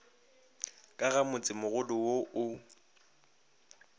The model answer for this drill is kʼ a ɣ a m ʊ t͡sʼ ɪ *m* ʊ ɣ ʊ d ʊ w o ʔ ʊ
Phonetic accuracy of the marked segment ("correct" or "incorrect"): correct